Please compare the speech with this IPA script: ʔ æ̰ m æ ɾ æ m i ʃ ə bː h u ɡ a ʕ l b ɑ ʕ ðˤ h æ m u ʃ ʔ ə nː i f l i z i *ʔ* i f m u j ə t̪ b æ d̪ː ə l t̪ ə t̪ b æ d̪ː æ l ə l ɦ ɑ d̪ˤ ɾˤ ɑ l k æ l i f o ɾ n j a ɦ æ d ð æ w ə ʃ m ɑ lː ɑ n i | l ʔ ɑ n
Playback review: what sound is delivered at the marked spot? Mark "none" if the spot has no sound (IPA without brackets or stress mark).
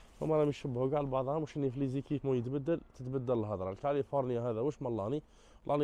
k